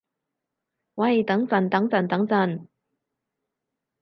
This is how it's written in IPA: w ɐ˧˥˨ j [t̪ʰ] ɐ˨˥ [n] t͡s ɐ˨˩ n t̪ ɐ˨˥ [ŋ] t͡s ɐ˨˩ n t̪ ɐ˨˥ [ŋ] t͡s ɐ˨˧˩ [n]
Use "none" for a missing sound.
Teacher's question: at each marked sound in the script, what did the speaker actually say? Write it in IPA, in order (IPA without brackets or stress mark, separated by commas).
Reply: t̪, ŋ, ŋ, ŋ, n